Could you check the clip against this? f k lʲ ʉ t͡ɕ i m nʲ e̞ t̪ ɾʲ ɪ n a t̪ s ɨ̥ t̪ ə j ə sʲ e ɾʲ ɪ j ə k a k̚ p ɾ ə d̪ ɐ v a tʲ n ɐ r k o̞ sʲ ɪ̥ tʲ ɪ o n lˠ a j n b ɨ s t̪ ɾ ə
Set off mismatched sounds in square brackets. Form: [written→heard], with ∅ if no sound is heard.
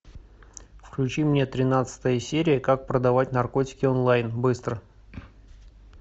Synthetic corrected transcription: f k lʲ ʉ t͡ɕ i m nʲ e̞ t̪ ɾʲ ɪ n a t̪ s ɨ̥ t̪ ə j ə sʲ e ɾʲ ɪ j ə k a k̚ p ɾ ə d̪ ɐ v a tʲ n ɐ r k o̞ [sʲ→tʲ] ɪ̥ [tʲ→kʲ] ɪ o n lˠ a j n b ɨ s t̪ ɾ ə